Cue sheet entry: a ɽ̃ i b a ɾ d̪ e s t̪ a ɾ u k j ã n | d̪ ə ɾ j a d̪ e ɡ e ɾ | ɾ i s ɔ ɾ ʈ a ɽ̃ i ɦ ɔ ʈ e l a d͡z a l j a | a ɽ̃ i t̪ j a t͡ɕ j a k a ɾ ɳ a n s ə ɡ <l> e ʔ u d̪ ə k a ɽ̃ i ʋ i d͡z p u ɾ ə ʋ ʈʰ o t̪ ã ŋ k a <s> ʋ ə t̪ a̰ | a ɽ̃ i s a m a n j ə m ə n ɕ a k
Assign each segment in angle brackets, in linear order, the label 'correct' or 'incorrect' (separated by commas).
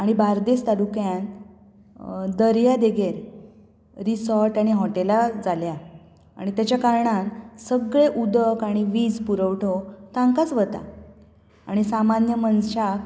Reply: incorrect, incorrect